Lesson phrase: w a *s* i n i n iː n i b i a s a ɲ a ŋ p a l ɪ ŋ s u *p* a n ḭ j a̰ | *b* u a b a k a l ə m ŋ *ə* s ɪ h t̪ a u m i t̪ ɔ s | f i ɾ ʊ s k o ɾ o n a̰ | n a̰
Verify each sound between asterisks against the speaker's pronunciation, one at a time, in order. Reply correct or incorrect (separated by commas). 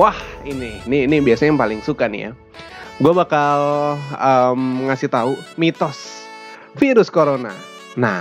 incorrect, incorrect, incorrect, incorrect